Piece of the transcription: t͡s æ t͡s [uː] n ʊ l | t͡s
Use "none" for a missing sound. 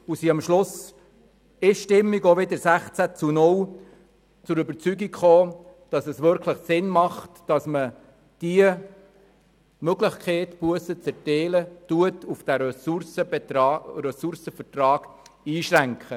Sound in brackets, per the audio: u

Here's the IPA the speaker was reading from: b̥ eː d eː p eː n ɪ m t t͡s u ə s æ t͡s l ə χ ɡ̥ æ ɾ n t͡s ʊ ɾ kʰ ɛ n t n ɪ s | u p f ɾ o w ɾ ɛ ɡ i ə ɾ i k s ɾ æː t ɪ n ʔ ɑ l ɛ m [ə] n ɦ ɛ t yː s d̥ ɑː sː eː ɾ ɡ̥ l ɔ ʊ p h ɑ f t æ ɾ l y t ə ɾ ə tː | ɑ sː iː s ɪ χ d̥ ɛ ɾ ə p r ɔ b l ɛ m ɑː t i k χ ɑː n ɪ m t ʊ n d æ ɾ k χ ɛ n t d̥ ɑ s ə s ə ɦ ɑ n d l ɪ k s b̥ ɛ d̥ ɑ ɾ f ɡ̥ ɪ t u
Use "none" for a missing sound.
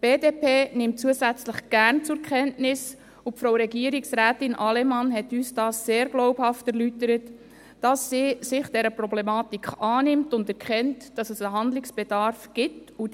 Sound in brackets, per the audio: ɑ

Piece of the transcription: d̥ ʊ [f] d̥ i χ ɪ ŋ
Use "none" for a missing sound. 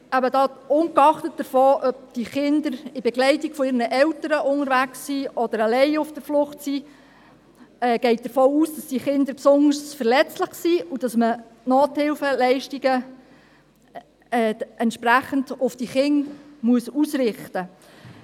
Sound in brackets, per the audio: f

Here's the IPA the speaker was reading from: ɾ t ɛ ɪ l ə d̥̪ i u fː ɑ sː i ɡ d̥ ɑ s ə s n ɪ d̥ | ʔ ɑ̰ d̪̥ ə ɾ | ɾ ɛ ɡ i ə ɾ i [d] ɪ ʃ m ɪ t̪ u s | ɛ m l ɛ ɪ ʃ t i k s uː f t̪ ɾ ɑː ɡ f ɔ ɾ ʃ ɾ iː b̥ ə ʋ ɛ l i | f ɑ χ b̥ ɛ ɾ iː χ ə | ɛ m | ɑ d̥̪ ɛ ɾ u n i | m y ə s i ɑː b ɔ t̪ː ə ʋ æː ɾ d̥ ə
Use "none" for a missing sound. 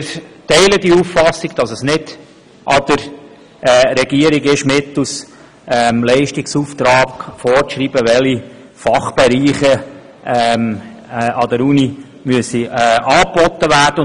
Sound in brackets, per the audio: ɡ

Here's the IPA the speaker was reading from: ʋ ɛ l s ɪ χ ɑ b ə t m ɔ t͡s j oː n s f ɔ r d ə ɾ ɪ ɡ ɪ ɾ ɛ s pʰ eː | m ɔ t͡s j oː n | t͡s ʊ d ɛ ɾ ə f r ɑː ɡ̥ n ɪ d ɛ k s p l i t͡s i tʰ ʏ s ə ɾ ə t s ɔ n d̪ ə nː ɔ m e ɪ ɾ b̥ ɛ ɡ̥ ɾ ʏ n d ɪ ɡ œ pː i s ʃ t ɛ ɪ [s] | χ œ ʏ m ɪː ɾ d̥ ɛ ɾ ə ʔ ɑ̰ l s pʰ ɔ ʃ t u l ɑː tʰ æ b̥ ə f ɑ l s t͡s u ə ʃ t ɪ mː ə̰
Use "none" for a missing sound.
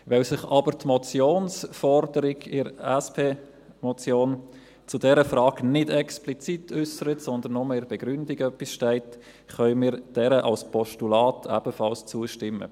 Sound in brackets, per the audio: t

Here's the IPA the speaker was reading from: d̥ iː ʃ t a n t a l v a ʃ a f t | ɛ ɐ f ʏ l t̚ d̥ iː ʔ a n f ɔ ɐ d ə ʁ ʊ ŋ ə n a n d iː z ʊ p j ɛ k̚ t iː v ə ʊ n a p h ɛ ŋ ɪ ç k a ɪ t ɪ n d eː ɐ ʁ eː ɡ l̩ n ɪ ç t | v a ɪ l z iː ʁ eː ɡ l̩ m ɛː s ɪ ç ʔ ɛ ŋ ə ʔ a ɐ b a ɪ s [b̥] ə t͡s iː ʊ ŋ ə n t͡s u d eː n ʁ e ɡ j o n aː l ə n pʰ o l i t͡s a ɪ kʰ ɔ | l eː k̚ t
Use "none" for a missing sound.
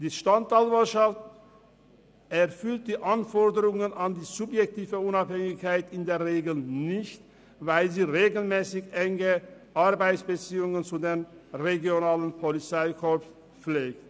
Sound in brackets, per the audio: b̥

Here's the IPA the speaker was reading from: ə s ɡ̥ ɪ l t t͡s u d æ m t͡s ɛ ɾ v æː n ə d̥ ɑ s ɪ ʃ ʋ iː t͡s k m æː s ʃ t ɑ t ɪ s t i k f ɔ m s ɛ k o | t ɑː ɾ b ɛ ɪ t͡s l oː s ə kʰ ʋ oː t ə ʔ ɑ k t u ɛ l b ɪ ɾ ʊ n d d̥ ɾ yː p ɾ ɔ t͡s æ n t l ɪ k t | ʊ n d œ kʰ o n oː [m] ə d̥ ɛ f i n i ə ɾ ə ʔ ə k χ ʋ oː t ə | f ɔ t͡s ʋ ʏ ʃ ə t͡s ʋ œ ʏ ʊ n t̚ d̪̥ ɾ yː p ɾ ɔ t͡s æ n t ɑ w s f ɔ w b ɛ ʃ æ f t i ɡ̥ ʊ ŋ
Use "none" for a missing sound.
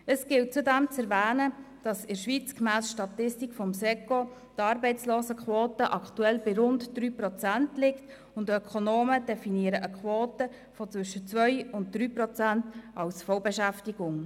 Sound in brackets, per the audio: m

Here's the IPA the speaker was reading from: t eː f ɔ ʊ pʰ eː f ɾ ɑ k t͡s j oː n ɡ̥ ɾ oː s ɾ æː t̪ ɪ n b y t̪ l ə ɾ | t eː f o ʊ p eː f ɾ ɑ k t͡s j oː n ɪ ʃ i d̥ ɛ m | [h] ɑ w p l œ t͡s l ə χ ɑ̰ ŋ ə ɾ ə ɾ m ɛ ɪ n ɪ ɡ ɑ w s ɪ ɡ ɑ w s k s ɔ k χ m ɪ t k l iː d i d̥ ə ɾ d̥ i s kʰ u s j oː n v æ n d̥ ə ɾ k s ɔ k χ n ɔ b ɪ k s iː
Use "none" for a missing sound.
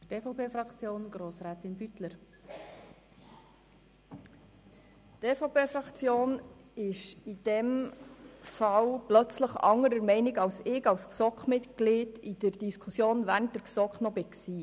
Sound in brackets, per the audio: f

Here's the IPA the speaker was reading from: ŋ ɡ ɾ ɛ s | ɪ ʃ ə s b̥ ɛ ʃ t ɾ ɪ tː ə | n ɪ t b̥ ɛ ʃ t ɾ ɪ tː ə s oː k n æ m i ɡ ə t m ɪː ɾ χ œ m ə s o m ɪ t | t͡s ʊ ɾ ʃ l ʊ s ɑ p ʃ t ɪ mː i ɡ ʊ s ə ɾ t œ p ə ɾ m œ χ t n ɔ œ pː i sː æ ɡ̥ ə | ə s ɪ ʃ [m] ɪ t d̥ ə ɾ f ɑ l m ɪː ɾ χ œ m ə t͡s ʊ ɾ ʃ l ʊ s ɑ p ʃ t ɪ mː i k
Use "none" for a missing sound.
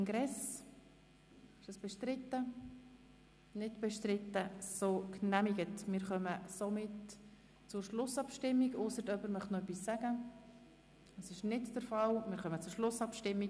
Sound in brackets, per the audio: n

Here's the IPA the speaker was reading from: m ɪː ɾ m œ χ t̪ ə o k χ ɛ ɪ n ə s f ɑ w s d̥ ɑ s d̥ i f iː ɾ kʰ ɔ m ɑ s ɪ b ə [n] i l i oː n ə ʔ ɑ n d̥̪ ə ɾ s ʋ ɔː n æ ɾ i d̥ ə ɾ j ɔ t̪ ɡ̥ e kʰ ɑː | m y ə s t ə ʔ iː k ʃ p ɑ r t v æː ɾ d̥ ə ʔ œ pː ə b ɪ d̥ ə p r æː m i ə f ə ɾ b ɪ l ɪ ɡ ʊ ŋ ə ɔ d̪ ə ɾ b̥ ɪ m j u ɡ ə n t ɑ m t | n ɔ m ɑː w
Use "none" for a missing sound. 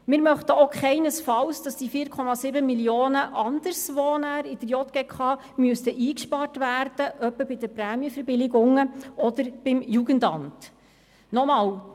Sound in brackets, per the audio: m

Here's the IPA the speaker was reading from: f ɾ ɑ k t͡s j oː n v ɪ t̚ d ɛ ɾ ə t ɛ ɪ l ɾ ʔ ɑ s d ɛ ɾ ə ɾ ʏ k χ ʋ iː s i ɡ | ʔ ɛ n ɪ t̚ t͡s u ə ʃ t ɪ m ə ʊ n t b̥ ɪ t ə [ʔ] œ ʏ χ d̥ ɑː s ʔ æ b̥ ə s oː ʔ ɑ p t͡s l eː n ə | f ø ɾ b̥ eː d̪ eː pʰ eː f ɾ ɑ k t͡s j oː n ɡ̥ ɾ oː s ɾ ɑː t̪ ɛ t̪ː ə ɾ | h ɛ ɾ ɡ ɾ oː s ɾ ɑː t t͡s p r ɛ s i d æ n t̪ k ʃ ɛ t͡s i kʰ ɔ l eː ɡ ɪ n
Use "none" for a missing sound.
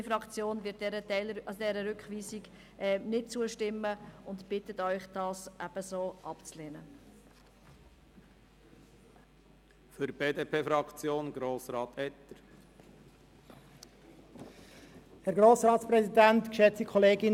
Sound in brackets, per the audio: t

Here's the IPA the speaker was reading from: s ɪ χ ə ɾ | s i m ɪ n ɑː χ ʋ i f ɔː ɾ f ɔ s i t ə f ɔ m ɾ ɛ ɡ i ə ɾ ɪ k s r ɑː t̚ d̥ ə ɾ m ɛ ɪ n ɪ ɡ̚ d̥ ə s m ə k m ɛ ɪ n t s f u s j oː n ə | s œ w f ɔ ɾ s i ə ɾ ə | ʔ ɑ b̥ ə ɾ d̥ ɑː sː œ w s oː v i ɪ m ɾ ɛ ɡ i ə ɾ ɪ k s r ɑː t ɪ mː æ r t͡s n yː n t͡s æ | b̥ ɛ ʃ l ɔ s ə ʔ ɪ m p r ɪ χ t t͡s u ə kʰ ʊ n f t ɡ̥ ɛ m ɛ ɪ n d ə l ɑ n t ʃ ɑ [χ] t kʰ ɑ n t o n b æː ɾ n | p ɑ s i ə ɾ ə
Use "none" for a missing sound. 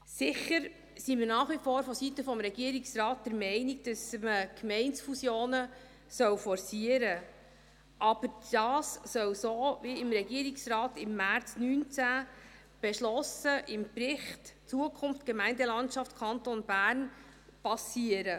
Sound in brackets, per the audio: f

